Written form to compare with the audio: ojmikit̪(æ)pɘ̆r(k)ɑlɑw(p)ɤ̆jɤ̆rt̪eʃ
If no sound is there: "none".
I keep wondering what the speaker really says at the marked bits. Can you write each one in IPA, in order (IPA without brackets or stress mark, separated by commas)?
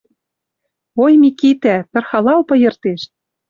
æ, x, p